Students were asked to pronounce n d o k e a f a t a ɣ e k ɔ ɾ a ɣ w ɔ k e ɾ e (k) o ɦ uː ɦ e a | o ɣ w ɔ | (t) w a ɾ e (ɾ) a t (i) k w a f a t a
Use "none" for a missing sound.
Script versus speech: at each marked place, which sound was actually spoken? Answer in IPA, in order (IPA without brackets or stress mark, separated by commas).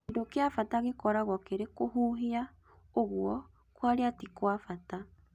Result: k, k, none, i